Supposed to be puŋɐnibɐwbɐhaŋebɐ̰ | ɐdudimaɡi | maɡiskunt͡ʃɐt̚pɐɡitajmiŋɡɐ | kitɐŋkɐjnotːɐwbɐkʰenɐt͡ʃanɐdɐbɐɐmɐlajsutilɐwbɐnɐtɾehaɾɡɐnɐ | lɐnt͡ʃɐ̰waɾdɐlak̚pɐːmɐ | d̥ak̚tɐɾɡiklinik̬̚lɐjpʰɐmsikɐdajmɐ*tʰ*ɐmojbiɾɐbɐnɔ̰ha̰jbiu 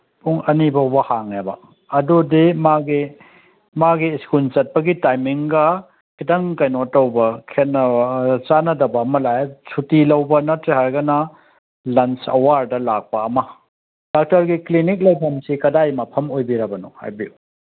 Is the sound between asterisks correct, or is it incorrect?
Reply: incorrect